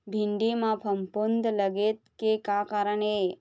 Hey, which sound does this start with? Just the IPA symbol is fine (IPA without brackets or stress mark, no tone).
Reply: bʱ